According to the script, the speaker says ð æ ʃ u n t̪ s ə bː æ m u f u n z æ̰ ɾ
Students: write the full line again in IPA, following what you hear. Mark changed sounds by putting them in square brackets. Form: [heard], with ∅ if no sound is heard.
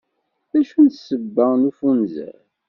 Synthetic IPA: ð æ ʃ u n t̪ s ə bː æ [n] u f u n z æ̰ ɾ